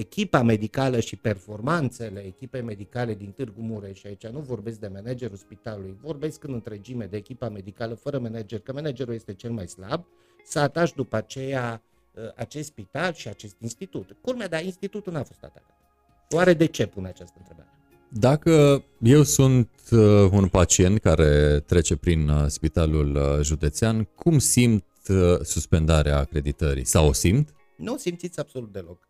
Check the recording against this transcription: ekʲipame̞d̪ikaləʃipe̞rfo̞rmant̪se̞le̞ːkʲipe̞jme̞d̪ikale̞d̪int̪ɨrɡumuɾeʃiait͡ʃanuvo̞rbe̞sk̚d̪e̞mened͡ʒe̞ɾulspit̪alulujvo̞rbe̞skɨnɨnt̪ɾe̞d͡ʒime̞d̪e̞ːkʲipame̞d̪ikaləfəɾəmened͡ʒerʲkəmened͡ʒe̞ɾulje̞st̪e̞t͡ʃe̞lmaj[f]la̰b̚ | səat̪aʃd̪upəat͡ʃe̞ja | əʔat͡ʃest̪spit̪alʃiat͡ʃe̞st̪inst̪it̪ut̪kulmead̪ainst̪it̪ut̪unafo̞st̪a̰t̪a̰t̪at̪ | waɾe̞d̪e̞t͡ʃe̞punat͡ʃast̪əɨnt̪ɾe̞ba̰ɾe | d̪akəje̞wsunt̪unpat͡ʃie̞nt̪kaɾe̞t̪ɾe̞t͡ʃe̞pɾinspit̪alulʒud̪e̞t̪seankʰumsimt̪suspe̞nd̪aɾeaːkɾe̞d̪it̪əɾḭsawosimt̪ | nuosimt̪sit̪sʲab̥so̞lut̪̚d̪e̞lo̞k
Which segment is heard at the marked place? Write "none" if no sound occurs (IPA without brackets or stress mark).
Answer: s